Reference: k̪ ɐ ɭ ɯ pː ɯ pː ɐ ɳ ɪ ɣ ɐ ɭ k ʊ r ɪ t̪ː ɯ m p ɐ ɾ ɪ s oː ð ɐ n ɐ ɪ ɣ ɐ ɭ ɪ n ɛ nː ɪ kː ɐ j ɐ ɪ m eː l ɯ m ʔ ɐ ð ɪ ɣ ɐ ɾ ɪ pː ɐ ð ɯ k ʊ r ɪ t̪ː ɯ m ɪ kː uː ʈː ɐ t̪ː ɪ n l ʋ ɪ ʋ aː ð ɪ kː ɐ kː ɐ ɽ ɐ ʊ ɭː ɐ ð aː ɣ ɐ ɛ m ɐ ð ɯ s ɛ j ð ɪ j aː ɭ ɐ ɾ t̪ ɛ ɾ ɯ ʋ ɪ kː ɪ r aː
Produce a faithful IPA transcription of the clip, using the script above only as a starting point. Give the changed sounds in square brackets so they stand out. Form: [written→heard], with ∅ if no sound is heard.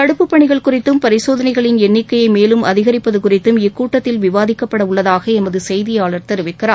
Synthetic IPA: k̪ ɐ [ɭ→ɽ] ɯ pː ɯ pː ɐ ɳ ɪ ɣ ɐ ɭ k ʊ r ɪ t̪ː ɯ m p ɐ ɾ ɪ s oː ð ɐ n ɐ ɪ ɣ ɐ ɭ ɪ n ɛ nː ɪ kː ɐ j ɐ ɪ m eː l ɯ m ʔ ɐ ð ɪ ɣ ɐ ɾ ɪ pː ɐ ð ɯ k ʊ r ɪ t̪ː ɯ m ɪ kː uː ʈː ɐ t̪ː ɪ [n→∅] l ʋ ɪ ʋ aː ð ɪ kː ɐ [kː→pː] ɐ ɽ ɐ ʊ ɭː ɐ ð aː ɣ ɐ ɛ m ɐ ð ɯ s ɛ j ð ɪ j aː ɭ ɐ ɾ t̪ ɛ ɾ ɯ ʋ ɪ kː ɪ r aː